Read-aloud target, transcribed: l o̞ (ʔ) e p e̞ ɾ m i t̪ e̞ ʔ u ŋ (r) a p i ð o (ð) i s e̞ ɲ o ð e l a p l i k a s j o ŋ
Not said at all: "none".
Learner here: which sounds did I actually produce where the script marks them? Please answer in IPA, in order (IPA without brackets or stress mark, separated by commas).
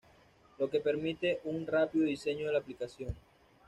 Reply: k, r, ð